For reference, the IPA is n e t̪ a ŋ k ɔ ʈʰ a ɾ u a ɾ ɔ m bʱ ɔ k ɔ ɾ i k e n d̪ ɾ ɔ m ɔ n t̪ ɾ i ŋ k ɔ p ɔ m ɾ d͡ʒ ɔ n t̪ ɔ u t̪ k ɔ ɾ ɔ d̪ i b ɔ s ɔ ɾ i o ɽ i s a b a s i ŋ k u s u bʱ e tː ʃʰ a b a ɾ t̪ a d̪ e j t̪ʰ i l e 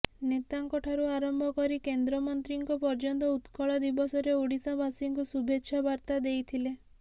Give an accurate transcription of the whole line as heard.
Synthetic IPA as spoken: n e t̪ a ŋ k ɔ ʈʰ a ɾ u a ɾ ɔ m bʱ ɔ k ɔ ɾ i k e n d̪ ɾ ɔ m ɔ n t̪ ɾ i ŋ k ɔ p ɔ ɾ d͡ʒ ɔ n t̪ ɔ u t̪ k ɔ ɭ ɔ d̪ i b ɔ s ɔ ɾ e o ɽ i s a b a s i ŋ k u s u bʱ e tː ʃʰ a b a ɾ t̪ a d̪ e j t̪ʰ i l e